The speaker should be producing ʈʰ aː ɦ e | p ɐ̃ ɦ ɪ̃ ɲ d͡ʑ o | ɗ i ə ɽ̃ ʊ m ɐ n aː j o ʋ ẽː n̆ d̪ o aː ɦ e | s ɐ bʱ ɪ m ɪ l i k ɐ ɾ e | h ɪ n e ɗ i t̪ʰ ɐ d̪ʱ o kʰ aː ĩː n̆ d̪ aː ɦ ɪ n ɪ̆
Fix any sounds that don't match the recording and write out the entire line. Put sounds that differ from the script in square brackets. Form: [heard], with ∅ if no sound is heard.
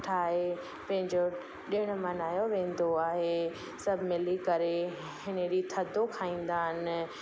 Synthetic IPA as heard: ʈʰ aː ɦ e | p ɐ̃ ɦ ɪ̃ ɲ d͡ʑ o | ɗ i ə ɽ̃ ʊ m ɐ n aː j o ʋ ẽː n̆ d̪ o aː ɦ e | s ɐ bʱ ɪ m ɪ l i k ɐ ɾ e | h ɪ n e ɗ i t̪ʰ ɐ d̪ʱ o kʰ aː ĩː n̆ d̪ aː ɦ ɪ n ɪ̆